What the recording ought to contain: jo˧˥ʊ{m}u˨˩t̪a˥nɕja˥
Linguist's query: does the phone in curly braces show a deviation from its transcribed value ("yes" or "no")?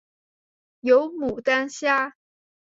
no